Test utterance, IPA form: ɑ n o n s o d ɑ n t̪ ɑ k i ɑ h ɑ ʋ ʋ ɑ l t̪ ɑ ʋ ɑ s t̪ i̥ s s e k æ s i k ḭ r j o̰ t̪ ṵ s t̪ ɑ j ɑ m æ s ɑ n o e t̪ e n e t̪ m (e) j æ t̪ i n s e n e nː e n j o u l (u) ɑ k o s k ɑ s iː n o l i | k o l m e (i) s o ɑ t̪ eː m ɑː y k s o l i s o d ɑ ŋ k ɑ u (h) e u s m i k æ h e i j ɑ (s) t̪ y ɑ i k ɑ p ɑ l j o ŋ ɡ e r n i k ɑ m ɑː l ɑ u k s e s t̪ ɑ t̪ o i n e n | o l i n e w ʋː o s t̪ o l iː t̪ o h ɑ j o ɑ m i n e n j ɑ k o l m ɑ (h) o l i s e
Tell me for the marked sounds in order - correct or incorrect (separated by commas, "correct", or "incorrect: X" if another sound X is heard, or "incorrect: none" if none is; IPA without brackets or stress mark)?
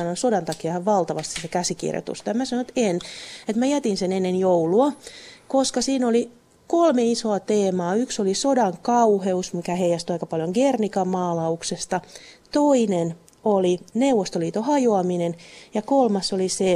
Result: incorrect: æ, correct, correct, correct, correct, incorrect: s